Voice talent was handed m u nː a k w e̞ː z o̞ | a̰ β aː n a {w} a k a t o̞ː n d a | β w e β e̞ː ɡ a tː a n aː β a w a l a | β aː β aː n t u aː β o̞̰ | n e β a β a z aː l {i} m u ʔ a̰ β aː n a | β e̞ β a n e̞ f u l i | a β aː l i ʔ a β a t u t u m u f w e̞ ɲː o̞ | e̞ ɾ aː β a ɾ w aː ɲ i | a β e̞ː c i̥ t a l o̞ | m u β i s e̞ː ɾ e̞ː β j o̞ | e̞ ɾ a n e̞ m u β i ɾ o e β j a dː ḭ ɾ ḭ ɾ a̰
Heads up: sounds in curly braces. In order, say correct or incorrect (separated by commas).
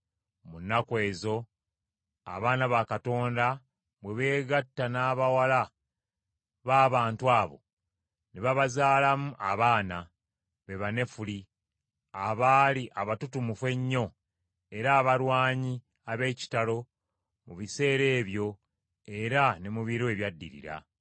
incorrect, incorrect